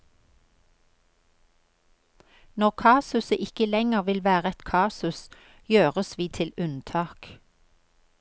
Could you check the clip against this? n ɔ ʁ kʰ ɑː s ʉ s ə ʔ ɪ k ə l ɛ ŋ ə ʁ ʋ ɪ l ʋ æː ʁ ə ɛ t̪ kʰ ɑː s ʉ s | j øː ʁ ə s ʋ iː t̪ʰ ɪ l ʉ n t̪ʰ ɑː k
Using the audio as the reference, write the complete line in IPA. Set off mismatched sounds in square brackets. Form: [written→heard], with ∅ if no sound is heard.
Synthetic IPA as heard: n ɔ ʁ kʰ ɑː s ʉ s ə ʔ ɪ k ə l ɛ ŋ ə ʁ ʋ ɪ l ʋ æː ʁ ə ɛ t̪ kʰ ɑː s ʉ s | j øː ʁ ə s ʋ iː t̪ʰ ɪ l ʉ n t̪ʰ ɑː k